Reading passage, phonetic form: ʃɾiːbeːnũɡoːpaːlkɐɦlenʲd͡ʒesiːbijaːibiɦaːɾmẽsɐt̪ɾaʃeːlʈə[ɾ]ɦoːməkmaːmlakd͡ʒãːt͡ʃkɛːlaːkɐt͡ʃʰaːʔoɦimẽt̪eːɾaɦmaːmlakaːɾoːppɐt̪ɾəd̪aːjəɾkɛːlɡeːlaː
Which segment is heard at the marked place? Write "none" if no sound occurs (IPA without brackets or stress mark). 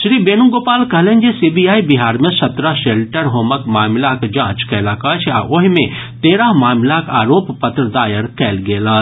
ɾ